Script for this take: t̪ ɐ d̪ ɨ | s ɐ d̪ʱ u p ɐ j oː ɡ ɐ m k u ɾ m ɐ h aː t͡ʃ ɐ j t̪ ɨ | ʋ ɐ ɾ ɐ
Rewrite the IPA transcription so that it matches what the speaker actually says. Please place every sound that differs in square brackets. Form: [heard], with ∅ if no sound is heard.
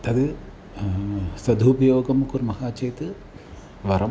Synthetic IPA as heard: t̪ ɐ d̪ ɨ | s ɐ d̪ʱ u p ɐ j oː ɡ ɐ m k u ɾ m ɐ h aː t͡ʃ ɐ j t̪ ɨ | ʋ ɐ ɾ ɐ